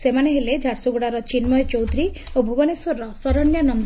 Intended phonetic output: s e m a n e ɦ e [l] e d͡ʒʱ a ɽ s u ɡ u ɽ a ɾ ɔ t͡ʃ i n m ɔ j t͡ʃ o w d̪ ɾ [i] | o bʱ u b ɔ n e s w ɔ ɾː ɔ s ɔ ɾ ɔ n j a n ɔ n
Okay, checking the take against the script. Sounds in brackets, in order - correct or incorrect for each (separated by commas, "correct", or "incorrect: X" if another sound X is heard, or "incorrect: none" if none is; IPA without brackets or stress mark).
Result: correct, correct